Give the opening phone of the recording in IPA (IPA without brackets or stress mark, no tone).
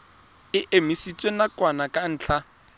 ɪ